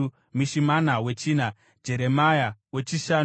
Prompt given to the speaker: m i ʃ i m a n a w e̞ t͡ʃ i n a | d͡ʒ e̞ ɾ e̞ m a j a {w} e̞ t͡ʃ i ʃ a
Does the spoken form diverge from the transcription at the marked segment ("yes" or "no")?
no